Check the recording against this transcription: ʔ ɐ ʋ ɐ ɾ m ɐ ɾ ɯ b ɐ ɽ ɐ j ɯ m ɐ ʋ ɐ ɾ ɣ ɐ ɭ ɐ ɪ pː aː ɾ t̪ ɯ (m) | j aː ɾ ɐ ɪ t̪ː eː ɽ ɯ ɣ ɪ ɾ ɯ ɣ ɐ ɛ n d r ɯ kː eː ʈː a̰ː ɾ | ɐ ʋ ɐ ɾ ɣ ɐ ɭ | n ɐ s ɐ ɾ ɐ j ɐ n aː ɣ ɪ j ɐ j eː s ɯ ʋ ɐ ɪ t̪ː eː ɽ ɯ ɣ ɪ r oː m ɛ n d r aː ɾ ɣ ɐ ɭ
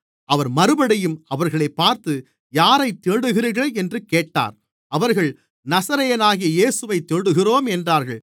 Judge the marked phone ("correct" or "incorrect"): incorrect